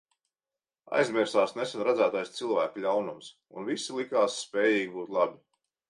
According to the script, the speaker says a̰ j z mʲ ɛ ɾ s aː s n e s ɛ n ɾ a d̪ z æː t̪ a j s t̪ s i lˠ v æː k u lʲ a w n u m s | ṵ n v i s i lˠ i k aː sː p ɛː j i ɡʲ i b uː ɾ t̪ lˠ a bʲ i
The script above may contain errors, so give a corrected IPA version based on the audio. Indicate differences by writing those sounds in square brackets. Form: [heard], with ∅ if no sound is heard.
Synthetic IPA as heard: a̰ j z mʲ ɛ ɾ s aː s n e s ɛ n ɾ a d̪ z æː t̪ a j s t̪ s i lˠ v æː k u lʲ a w n u m s | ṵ n v i s i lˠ i k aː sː p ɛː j [iː] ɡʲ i b uː [∅] t̪ lˠ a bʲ i